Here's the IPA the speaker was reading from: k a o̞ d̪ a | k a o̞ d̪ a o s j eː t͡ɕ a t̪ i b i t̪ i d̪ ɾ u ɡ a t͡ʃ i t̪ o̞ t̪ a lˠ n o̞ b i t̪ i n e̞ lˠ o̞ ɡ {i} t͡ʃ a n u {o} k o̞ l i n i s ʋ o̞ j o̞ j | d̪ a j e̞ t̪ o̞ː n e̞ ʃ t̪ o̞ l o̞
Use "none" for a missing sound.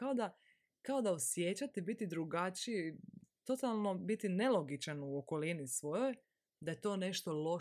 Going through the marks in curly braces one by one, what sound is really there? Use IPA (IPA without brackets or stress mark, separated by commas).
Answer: i, o